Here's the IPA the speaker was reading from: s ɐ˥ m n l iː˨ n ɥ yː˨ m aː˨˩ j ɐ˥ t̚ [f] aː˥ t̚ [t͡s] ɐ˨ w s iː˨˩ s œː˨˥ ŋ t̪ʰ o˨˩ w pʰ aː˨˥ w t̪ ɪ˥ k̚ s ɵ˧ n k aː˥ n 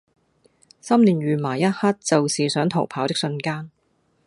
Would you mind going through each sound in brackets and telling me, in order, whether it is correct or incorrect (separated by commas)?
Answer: incorrect, correct